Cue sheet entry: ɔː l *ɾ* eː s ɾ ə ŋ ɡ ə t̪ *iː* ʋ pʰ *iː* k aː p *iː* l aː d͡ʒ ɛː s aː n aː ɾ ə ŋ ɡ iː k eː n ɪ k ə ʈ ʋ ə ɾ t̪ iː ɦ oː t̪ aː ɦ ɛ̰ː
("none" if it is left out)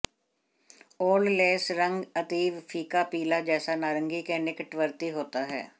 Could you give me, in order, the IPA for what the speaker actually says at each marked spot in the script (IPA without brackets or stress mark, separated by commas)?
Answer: l, iː, iː, iː